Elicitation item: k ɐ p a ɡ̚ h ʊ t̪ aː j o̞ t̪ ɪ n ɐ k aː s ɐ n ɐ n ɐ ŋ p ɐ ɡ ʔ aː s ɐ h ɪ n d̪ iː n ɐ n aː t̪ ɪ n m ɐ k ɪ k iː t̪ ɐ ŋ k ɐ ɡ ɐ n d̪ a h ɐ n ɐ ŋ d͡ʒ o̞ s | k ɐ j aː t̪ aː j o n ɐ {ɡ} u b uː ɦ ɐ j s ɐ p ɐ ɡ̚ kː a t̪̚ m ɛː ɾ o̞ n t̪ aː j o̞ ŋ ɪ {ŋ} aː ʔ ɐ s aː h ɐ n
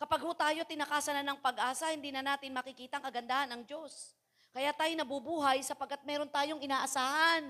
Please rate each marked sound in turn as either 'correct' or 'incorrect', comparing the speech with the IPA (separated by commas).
incorrect, incorrect